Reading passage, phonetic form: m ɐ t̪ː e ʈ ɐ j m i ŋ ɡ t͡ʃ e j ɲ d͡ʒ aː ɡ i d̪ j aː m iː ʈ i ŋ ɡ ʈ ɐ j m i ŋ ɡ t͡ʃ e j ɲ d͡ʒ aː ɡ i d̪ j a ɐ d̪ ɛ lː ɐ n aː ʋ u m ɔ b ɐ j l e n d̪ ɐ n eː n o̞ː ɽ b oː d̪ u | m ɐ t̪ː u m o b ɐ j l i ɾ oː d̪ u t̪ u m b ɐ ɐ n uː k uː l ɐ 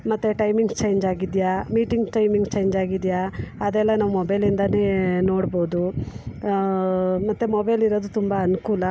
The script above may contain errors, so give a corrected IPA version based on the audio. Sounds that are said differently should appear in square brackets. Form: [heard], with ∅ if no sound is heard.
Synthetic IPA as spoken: m ɐ t̪ː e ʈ ɐ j m i ŋ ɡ t͡ʃ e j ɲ d͡ʒ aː ɡ i d̪ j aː m iː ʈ i ŋ ɡ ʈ ɐ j m i ŋ ɡ t͡ʃ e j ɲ d͡ʒ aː ɡ i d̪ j a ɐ d̪ ɛ lː ɐ n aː ʋ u m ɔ b ɐ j l [i] n d̪ ɐ n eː n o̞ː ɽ b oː d̪ u | m ɐ t̪ː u m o b ɐ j l i ɾ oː d̪ u t̪ u m b ɐ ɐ n [u] k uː l ɐ

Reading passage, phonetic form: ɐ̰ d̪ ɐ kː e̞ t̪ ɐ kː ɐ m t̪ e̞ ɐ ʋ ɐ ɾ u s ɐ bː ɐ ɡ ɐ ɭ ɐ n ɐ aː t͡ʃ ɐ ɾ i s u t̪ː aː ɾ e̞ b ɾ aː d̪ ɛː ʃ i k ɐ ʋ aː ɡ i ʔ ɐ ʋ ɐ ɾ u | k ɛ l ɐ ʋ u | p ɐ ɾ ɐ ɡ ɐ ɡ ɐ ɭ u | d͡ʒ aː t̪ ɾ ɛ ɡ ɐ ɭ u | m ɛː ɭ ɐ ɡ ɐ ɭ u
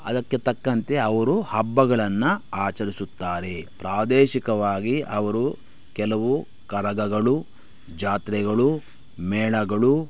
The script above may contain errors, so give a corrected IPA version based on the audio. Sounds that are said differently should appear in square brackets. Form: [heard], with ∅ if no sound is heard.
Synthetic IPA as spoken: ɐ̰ d̪ ɐ kː e̞ t̪ ɐ kː ɐ [n] t̪ e̞ ɐ ʋ ɐ ɾ u [h] ɐ bː ɐ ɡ ɐ ɭ ɐ [nː] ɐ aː t͡ʃ ɐ ɾ i s u t̪ː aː ɾ e̞ [p] ɾ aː d̪ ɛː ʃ i k ɐ ʋ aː ɡ i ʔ ɐ ʋ ɐ ɾ u | k ɛ l ɐ ʋ u | [k] ɐ ɾ ɐ ɡ ɐ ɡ ɐ ɭ u | d͡ʒ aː t̪ ɾ ɛ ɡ ɐ ɭ u | m ɛː ɭ ɐ ɡ ɐ ɭ u

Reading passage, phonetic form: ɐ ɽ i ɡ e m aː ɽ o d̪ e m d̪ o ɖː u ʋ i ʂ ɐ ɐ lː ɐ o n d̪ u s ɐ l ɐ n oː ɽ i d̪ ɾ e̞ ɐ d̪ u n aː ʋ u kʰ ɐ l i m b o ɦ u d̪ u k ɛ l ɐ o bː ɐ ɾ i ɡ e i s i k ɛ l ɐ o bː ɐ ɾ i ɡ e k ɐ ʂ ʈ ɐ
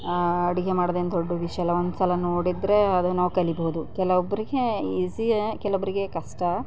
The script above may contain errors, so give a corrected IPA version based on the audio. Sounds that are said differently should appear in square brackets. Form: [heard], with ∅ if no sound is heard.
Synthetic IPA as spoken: ɐ ɽ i ɡ e m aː ɽ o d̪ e [n] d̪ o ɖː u ʋ i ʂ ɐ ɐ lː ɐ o n d̪ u s ɐ l ɐ n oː ɽ i d̪ ɾ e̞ ɐ d̪ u n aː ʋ u [k] ɐ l i [∅] b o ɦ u d̪ u k ɛ l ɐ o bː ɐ ɾ i ɡ e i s i k ɛ l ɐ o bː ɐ ɾ i ɡ e k ɐ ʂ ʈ ɐ

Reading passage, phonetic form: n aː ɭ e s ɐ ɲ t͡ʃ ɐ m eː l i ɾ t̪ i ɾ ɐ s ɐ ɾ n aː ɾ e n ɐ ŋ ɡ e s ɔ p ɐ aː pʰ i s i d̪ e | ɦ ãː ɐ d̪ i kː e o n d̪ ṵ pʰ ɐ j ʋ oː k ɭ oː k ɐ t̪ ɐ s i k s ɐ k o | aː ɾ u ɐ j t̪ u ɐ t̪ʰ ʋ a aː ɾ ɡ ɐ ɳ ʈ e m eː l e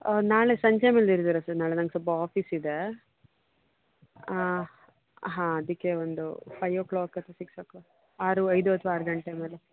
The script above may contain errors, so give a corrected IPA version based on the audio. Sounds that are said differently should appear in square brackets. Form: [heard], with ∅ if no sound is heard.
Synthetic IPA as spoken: n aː ɭ e s ɐ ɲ t͡ʃ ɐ m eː l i ɾ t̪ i ɾ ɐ s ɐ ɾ n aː [ɭ] e n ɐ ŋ ɡ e s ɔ p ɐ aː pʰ i s i d̪ e | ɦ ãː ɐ d̪ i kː e o n d̪ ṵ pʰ ɐ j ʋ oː k ɭ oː k ɐ t̪ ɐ s i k s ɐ k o | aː ɾ u ɐ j [d̪] u ɐ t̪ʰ ʋ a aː ɾ ɡ ɐ ɳ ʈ e m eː l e

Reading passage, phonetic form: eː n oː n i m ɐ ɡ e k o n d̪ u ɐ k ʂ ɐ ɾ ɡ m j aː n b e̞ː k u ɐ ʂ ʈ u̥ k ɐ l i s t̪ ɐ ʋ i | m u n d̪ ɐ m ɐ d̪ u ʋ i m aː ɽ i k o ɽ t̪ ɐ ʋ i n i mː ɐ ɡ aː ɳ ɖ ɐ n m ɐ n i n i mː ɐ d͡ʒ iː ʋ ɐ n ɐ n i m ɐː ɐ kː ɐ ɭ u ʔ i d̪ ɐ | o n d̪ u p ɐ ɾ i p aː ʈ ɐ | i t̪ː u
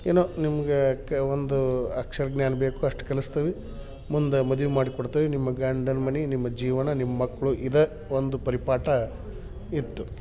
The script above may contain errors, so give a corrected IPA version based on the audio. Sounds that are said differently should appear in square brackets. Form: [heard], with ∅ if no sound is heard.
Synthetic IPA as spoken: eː n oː n i m ɐ ɡ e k o n d̪ u ɐ k ʂ ɐ ɾ ɡ [n] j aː n b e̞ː k u ɐ ʂ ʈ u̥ k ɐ l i s t̪ ɐ ʋ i | m u n d̪ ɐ m ɐ d̪ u ʋ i m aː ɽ i k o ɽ t̪ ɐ ʋ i n i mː ɐ ɡ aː ɳ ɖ ɐ n m ɐ n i n i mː ɐ d͡ʒ iː ʋ ɐ n ɐ n i m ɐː ɐ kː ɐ ɭ u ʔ i d̪ ɐ | o n d̪ u p ɐ ɾ i p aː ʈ ɐ | i t̪ː u

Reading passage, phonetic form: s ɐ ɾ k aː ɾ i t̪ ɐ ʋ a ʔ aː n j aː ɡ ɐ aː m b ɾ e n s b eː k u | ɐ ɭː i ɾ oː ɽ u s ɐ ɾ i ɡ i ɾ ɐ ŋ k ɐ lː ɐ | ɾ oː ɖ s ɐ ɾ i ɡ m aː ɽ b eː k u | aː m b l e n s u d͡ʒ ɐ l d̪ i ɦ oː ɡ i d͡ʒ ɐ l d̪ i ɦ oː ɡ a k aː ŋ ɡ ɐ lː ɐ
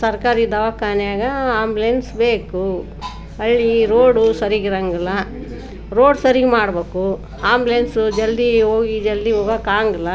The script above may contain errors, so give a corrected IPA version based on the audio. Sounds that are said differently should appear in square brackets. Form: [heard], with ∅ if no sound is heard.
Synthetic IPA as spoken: s ɐ ɾ k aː ɾ i [d̪] ɐ ʋ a [k] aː n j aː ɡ ɐ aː m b [l] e n s b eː k u | ɐ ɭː i ɾ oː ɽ u s ɐ ɾ i ɡ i ɾ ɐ ŋ [ɡ] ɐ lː ɐ | ɾ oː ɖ s ɐ ɾ i ɡ m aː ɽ b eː k u | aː m b l e n s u d͡ʒ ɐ l d̪ i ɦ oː ɡ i d͡ʒ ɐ l d̪ i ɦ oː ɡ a k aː ŋ ɡ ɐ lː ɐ

